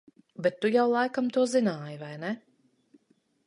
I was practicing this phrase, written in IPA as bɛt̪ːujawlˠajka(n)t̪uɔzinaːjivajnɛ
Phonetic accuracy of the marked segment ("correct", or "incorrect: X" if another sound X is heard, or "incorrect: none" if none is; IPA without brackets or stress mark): incorrect: m